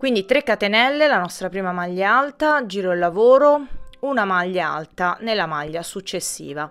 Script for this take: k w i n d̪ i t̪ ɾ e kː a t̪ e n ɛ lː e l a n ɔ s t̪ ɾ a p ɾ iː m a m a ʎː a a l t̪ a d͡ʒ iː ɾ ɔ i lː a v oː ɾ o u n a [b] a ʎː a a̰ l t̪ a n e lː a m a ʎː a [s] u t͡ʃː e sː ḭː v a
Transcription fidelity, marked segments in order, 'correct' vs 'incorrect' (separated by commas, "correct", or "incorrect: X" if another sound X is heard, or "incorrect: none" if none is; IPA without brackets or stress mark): incorrect: m, correct